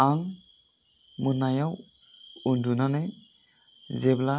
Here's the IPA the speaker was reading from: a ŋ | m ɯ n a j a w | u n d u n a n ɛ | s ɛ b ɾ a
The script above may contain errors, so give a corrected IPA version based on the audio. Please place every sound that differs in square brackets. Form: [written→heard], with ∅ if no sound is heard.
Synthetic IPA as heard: a ŋ | m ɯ n a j a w | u n d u n a n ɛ | [s→z] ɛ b [ɾ→l] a